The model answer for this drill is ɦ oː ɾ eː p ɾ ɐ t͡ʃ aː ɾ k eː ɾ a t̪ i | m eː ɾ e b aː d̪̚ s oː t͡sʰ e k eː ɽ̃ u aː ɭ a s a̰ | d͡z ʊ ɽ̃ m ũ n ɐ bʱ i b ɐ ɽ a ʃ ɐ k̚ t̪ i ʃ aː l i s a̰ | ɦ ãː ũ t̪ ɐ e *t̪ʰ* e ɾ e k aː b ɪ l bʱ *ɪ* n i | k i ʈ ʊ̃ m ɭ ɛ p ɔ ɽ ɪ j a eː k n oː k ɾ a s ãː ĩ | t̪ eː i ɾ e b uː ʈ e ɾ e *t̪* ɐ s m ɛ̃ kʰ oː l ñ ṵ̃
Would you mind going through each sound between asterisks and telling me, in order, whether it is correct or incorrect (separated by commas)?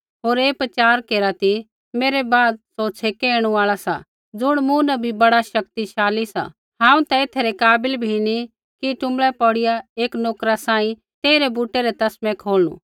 correct, incorrect, correct